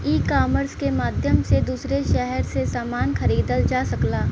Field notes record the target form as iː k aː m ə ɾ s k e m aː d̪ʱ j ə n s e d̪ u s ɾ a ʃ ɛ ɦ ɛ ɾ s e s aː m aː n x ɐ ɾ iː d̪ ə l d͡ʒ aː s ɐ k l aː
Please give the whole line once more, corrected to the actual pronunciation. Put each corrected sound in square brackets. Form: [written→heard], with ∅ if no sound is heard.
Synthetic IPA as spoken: iː k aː m ə ɾ s k e m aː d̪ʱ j ə [n→m] s e d̪ [u→uː] s ɾ [a→e] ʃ ɛ ɦ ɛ ɾ s e s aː m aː n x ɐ ɾ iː d̪ ə l d͡ʒ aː s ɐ k l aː